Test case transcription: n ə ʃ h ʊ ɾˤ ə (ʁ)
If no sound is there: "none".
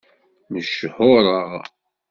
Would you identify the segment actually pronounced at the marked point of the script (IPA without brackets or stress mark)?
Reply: ʁ